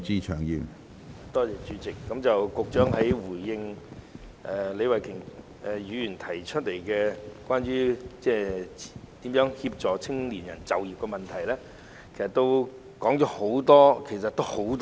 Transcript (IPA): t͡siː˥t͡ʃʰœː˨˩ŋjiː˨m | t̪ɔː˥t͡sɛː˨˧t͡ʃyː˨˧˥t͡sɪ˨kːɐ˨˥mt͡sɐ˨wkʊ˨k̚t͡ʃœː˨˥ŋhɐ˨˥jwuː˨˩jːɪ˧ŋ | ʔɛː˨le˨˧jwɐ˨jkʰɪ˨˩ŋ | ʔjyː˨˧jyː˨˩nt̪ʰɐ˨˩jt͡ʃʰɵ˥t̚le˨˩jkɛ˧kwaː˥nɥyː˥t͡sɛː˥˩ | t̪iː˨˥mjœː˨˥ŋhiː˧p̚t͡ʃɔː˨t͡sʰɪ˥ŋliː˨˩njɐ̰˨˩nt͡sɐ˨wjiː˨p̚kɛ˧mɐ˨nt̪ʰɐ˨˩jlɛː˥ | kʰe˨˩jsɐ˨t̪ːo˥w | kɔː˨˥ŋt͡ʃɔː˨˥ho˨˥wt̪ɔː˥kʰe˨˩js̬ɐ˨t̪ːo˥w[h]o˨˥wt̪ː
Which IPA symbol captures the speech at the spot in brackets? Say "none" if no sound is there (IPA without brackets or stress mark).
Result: h